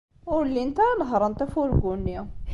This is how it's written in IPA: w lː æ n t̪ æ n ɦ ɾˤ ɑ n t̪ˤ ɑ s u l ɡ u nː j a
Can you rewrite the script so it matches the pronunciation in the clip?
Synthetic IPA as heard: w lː i n t̪ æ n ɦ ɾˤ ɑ n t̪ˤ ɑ f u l ɡ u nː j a